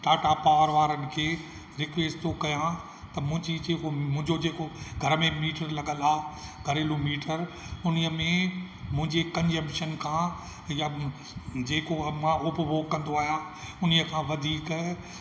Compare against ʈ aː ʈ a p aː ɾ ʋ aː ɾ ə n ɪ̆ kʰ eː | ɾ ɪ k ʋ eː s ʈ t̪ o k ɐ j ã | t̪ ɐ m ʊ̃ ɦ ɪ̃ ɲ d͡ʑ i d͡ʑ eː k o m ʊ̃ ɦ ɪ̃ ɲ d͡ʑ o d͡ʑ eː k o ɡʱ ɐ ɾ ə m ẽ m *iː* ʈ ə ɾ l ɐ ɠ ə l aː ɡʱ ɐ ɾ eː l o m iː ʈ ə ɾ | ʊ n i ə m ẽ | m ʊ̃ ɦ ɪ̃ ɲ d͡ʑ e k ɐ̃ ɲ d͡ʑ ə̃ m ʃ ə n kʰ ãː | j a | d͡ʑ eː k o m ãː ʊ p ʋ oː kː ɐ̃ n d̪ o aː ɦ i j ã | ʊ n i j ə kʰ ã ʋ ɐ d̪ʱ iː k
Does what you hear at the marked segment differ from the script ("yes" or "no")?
no